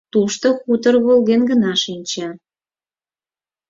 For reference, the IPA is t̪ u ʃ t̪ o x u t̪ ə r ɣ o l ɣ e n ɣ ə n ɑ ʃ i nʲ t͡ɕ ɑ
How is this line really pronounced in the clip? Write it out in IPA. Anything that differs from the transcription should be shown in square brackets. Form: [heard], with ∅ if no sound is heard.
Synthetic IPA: t̪ u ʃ t̪ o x u t̪ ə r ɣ o l ɣ e n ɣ ə n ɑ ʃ i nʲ t͡ɕ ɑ